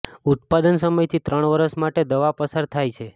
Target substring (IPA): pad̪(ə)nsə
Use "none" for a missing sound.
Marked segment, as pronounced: ə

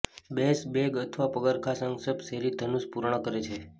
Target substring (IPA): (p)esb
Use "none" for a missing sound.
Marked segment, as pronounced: b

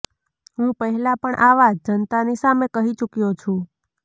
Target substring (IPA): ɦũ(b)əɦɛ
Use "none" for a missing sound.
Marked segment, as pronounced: p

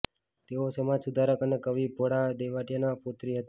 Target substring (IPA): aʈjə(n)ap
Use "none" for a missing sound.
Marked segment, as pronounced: n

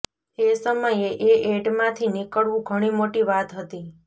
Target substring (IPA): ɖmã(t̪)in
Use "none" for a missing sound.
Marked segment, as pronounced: t̪ʰ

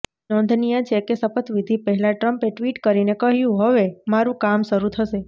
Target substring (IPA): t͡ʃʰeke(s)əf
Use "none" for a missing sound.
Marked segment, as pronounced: s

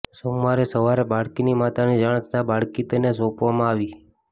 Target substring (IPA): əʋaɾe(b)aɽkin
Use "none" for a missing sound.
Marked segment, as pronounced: b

